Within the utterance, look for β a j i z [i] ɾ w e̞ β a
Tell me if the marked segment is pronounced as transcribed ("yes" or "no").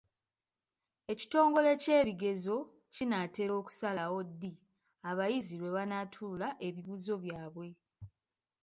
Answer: yes